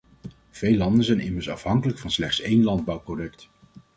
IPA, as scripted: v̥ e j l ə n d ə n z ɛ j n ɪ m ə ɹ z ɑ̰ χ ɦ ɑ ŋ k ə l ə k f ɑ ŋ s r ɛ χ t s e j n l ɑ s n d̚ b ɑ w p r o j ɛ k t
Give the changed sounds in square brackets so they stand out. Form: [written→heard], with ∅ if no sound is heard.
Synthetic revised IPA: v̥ e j l [ə→ɑ] n d ə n z ɛ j n ɪ m ə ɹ [z→s] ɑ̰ [χ→f] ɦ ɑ ŋ k ə l ə k f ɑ [ŋ→n] s [r→l] ɛ χ t s e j n l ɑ [s→∅] n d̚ b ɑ w p r o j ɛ k t